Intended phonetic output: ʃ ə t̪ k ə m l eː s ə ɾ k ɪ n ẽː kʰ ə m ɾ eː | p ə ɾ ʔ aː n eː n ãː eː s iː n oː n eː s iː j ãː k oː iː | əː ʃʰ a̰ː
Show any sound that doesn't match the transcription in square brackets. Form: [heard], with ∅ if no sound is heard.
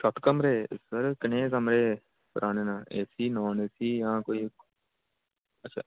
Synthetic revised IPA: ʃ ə t̪ k ə m [ɾ] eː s ə ɾ k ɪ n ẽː [k] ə m ɾ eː | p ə ɾ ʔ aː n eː n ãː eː s iː n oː n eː s iː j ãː k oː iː | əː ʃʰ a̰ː